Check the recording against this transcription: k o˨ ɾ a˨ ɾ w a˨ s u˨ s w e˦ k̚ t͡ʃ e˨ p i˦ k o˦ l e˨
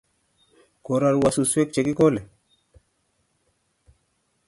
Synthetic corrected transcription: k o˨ ɾ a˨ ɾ w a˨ s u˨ s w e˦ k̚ t͡ʃ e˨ k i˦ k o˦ l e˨